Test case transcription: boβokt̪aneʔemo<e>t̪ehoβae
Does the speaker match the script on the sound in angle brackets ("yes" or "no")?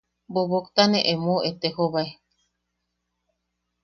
yes